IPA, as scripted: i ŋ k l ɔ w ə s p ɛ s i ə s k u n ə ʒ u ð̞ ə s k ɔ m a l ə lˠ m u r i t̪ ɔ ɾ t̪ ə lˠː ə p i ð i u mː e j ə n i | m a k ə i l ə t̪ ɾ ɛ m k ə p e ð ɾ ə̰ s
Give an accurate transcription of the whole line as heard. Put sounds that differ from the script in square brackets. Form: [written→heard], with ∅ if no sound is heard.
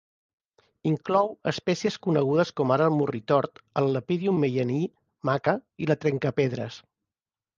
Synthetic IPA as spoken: i ŋ k l ɔ w ə s p ɛ s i ə s k u n ə [ʒ→ɣ] u ð̞ ə s k ɔ m a [l→ɾ] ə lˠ m u r i t̪ ɔ ɾ t̪ ə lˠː ə p i ð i u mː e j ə n i | m a k ə i l ə t̪ ɾ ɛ [m→ŋ] k ə p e ð ɾ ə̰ s